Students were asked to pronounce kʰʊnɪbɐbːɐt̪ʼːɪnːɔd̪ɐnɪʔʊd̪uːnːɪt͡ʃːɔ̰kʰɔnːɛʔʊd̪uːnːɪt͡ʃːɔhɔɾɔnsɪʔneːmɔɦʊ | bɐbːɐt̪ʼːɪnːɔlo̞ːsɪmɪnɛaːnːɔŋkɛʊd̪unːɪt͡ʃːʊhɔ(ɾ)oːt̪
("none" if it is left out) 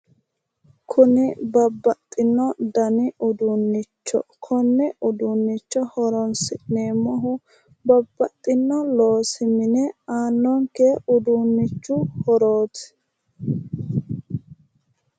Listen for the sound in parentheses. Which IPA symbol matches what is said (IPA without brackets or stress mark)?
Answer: ɾ